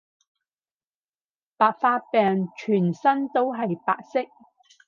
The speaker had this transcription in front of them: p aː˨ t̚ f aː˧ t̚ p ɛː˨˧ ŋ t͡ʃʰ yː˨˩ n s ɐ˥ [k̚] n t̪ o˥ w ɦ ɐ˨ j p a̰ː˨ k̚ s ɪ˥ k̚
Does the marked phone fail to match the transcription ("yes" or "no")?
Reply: yes